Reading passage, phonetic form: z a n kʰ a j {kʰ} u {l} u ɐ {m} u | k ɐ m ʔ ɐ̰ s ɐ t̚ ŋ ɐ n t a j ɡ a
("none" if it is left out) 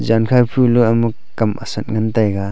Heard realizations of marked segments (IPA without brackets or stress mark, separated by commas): pʰ, l, m